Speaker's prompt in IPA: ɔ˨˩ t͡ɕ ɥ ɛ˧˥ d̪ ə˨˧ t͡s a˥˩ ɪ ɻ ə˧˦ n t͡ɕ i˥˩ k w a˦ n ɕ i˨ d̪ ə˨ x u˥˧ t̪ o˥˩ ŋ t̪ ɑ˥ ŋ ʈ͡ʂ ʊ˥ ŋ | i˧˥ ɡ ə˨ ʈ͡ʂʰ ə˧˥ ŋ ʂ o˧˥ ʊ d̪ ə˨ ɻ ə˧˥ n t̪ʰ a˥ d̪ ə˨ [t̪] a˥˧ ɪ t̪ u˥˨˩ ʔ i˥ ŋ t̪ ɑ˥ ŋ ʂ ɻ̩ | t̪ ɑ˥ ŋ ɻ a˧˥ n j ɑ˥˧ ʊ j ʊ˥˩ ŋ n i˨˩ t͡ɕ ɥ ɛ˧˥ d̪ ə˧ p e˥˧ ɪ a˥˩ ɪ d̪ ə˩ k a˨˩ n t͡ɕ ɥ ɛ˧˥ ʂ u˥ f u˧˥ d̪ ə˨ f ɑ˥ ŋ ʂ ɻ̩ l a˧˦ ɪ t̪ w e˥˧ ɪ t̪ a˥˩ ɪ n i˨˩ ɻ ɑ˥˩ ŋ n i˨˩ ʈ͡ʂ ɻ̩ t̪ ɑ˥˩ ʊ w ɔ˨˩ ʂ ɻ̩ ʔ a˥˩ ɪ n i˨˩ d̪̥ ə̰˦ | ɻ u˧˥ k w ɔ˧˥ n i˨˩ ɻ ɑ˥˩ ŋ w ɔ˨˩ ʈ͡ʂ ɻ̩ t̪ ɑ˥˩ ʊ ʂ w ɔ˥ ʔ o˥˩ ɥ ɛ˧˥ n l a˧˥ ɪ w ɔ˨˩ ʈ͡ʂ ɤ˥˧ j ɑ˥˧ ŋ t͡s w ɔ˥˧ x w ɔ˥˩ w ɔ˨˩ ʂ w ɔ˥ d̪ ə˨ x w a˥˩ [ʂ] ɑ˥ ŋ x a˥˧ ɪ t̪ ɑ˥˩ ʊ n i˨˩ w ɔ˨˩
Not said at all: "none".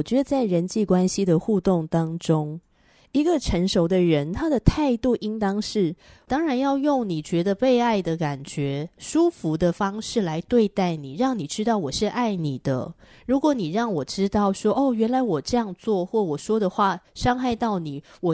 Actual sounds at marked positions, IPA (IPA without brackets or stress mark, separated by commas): t̪ʰ, ʂ